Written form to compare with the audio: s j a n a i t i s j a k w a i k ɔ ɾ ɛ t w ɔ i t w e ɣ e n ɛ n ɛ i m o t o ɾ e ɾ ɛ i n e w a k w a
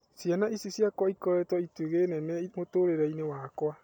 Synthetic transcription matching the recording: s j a n a i s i s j a k w a i k ɔ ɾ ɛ t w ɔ i t w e ɣ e n ɛ n ɛ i m o t o ɾ e ɾ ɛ i n e w a k w a